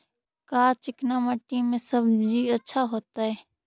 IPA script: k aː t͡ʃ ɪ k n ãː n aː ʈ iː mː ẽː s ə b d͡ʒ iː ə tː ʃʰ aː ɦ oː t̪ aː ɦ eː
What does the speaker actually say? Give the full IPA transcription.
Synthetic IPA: k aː t͡ʃ ɪ k n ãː m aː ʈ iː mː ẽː s ə b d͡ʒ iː ə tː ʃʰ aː ɦ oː t̪ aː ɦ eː